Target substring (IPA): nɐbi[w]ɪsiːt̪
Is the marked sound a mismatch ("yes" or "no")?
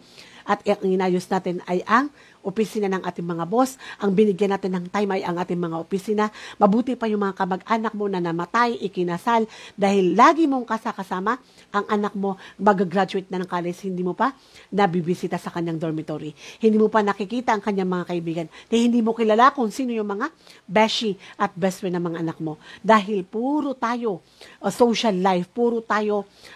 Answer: yes